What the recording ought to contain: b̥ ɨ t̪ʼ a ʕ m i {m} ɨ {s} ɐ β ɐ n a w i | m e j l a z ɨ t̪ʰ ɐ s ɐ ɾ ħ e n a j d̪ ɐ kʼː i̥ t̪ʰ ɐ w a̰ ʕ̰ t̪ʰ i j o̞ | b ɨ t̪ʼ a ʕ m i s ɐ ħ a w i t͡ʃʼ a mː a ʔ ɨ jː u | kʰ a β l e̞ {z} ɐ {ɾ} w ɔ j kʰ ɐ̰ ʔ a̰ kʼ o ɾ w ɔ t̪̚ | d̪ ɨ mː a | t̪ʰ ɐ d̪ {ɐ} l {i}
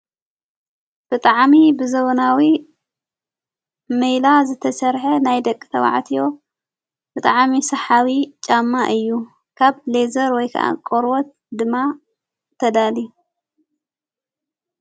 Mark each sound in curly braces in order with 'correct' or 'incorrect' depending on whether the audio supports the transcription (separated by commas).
incorrect, incorrect, correct, correct, incorrect, correct